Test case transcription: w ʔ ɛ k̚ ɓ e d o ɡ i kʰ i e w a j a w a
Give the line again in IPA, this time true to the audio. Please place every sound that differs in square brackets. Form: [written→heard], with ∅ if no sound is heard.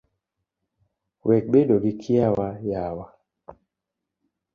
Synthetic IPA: w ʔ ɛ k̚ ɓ e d o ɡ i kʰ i [e→a] w a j a w a